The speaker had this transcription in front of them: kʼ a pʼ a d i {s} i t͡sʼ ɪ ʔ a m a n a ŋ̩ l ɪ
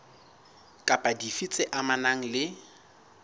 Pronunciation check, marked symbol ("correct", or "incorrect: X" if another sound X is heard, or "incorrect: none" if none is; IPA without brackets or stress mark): incorrect: f